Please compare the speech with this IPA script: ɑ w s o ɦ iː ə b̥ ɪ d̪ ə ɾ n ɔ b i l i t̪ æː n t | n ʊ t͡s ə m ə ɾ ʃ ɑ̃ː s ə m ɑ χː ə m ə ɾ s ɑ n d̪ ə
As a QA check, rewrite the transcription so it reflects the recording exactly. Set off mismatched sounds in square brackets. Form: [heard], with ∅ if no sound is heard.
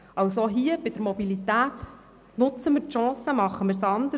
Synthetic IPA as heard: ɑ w s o ɦ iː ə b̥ ɪ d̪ ə ɾ [m] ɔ b i l i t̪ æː [∅] t | n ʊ t͡s ə m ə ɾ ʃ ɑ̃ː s ə m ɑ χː ə m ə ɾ s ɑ n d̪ ə